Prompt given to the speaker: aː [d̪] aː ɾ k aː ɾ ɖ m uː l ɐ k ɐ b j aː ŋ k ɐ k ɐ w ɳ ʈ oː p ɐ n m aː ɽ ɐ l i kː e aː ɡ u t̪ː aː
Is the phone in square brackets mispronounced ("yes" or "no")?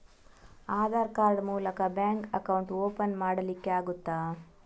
no